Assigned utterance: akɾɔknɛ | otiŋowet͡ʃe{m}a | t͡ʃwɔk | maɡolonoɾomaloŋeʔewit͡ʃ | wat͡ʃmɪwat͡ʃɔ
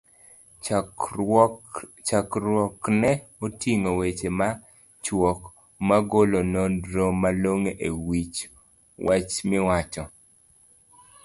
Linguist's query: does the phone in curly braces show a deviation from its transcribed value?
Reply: no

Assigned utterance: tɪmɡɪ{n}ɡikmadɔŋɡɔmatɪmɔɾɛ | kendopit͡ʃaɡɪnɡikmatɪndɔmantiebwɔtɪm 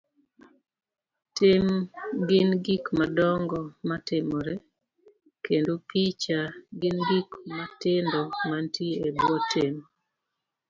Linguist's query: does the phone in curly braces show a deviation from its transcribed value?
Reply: no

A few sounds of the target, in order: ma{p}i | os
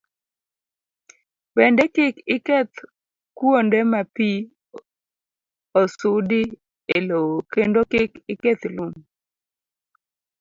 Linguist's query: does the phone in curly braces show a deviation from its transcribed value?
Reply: no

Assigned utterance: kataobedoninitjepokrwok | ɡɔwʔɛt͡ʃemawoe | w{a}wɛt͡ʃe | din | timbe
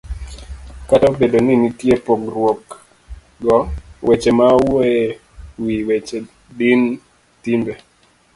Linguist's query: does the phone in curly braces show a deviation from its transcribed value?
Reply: yes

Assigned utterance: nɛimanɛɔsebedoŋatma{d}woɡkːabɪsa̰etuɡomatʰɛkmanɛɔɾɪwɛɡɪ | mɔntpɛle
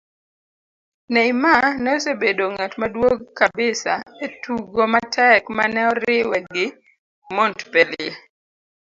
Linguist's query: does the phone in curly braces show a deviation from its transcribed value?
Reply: no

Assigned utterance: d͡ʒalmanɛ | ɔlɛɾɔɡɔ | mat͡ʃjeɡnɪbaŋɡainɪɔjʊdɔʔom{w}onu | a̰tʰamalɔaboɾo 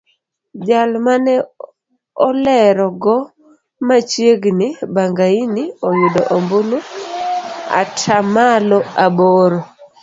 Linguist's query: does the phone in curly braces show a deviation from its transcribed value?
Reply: yes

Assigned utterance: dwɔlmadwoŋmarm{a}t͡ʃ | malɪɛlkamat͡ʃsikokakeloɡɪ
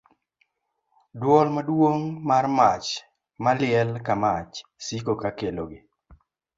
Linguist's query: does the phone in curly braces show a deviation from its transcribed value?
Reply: no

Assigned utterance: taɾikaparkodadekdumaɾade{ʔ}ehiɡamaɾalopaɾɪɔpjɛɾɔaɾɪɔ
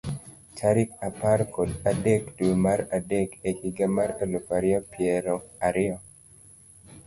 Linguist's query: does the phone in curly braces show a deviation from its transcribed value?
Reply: yes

